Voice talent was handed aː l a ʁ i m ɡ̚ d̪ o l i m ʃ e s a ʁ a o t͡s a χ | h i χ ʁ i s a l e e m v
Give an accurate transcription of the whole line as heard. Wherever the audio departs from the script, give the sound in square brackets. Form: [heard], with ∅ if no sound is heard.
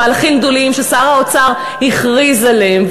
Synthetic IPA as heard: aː l a [χ] i m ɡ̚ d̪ o l i m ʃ e s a ʁ a o t͡s a [ʁ] | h i χ ʁ i [z] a l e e m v